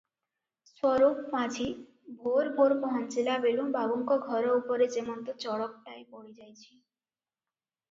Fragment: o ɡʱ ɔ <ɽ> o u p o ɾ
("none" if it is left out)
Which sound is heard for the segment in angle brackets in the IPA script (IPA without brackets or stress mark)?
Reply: ɾ